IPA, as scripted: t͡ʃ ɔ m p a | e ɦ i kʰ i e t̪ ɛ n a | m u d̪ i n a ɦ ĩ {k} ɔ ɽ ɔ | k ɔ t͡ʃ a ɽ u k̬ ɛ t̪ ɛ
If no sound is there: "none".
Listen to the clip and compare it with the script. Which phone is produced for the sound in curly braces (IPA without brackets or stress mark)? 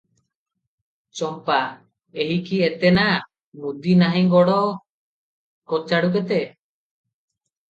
ɡ